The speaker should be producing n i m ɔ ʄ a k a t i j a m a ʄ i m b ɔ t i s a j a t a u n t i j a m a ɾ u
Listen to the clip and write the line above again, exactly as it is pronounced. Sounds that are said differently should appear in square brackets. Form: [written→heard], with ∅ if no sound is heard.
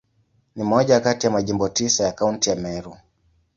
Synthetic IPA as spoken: n i m ɔ ʄ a k a t i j a m a ʄ i m b ɔ t i s a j a [t→k] a u n t i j a m [a→ɛ] ɾ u